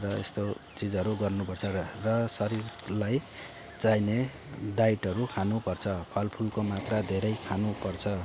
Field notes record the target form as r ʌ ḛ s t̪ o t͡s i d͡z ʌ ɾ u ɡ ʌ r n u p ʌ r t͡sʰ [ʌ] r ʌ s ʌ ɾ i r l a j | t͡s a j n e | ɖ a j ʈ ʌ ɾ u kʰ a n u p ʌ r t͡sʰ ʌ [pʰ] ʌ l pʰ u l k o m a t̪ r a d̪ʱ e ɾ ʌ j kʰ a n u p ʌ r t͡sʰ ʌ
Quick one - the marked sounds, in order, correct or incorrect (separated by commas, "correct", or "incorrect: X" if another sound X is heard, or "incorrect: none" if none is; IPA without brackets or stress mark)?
correct, correct